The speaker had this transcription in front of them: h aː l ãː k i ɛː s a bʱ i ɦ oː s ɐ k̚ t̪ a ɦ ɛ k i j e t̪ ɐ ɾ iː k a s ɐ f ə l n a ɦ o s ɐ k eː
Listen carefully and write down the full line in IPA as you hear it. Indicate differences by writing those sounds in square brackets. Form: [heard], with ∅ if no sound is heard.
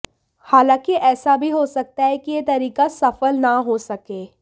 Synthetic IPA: h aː l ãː k i ɛː s a bʱ i ɦ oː s ɐ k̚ t̪ a ɦ ɛ k i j e t̪ ɐ ɾ iː k a s ɐ f ə l n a ɦ o s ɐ k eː